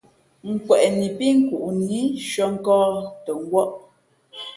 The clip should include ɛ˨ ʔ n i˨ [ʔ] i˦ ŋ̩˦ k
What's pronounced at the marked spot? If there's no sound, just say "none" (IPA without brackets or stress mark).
p